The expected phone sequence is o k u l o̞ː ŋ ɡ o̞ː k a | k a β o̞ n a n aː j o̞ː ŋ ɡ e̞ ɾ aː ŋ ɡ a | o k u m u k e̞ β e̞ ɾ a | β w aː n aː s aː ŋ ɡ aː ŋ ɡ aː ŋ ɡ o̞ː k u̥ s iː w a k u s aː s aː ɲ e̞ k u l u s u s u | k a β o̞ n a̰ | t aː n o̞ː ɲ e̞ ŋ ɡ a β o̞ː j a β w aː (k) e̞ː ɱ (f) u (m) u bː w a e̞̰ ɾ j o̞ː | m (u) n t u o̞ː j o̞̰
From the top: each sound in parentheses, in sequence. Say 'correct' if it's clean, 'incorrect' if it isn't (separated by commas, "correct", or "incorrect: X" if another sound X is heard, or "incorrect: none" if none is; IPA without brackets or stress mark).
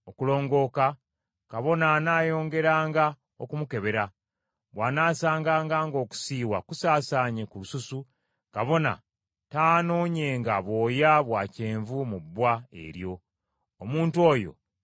incorrect: c, incorrect: v, correct, incorrect: uː